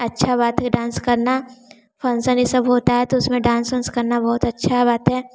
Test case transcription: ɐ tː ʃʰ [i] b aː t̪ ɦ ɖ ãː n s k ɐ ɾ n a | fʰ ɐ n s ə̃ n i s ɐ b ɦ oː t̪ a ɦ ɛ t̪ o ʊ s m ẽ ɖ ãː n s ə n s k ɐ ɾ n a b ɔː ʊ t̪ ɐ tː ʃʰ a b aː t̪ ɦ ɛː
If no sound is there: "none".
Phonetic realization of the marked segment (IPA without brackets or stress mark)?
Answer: a